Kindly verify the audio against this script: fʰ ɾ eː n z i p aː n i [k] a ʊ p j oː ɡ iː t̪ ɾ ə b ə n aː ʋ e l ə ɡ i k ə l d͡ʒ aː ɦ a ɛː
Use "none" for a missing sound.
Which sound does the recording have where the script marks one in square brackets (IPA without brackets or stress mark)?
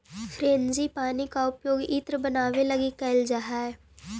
k